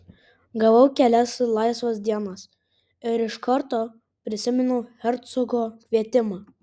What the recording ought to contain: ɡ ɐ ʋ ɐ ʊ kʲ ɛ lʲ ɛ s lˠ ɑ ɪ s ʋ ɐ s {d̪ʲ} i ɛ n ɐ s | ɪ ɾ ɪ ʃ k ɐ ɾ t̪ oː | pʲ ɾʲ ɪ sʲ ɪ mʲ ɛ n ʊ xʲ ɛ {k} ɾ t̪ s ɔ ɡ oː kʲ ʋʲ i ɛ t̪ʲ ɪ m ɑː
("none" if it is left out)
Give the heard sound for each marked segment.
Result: d̪ʲ, none

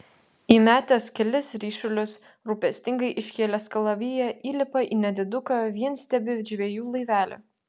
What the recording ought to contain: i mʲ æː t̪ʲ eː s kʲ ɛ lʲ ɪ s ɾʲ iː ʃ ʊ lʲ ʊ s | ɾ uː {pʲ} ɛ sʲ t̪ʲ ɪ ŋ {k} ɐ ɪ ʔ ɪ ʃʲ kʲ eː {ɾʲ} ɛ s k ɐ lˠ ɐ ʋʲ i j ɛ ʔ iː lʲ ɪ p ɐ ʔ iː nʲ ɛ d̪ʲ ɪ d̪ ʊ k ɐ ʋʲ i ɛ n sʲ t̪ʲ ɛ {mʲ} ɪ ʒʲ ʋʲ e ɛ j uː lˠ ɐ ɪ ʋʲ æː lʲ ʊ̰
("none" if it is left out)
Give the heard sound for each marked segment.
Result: pʲ, ɡ, lʲ, bʲ

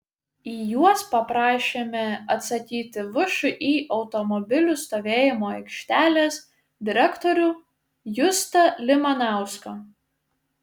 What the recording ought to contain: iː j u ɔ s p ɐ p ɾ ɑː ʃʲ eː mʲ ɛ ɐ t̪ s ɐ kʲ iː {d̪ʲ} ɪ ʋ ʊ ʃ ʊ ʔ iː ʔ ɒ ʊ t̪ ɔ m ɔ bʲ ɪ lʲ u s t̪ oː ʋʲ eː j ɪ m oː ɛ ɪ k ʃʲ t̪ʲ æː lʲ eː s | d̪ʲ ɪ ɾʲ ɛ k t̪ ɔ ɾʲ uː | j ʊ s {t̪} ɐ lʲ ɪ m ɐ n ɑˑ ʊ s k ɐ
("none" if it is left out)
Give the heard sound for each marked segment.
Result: t̪ʲ, t̪

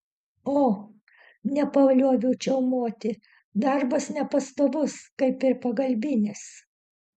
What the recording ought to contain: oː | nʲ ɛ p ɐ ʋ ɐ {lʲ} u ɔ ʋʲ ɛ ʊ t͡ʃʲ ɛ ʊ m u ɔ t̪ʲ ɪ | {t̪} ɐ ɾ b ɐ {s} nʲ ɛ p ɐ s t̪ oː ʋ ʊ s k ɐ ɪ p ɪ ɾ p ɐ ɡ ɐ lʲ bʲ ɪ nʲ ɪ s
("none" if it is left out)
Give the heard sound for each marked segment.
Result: lʲ, d̪, s

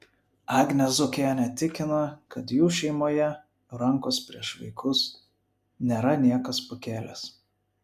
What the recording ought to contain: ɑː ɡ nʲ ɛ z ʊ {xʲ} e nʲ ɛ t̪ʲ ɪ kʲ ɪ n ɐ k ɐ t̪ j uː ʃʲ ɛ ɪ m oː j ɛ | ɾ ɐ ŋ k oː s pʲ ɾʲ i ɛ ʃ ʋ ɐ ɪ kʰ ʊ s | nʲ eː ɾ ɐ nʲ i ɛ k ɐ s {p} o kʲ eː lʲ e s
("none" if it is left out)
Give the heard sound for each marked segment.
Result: kʲ, p

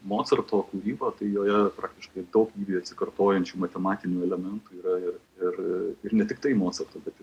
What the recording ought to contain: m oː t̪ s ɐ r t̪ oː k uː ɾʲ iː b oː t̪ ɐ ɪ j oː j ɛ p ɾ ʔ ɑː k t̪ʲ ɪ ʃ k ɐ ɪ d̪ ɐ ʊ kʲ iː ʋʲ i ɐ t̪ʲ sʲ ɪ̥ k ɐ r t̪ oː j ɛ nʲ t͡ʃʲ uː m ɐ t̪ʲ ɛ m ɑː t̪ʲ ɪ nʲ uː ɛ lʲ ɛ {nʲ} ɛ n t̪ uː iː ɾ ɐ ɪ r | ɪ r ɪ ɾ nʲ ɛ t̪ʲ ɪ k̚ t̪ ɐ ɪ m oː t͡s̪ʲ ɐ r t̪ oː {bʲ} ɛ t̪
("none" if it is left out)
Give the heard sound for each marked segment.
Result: mʲ, bʲ

